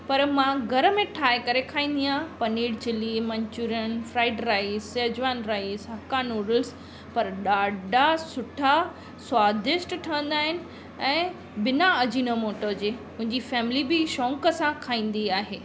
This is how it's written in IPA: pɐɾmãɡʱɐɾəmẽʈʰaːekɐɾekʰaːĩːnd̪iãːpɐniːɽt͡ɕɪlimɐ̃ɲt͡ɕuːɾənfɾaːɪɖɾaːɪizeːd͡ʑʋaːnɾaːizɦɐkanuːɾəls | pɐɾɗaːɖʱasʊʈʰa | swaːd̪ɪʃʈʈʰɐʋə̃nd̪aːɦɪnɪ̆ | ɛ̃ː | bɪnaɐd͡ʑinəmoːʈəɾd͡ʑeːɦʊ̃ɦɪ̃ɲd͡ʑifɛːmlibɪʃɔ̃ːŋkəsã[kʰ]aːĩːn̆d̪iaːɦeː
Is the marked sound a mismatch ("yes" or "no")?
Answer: no